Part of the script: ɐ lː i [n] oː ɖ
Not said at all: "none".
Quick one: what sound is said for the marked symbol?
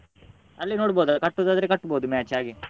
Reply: n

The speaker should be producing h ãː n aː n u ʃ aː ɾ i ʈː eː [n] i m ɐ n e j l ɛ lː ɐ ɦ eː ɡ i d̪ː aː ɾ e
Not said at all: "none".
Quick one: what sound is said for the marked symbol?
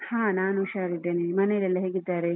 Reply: n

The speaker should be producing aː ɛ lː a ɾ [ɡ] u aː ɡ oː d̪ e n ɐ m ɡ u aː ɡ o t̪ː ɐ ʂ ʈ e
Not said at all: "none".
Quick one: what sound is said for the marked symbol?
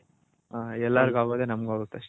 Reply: ɡ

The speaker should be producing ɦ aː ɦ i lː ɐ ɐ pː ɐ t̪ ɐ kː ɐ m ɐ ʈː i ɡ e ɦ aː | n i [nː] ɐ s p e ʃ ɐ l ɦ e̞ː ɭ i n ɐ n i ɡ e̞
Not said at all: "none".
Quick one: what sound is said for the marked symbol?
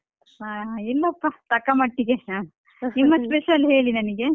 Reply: mː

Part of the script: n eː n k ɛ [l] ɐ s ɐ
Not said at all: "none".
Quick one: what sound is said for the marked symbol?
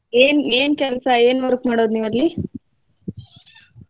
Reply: l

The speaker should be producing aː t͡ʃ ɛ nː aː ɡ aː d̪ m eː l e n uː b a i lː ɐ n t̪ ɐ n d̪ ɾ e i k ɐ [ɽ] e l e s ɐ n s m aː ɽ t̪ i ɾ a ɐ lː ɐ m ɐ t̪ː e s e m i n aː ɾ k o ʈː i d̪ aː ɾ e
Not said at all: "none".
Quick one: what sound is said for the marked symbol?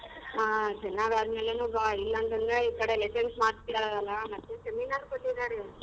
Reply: ɽ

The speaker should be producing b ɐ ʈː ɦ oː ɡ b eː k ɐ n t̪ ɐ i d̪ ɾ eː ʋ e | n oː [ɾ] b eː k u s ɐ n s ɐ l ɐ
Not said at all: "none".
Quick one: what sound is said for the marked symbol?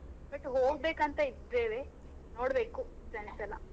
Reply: ɽ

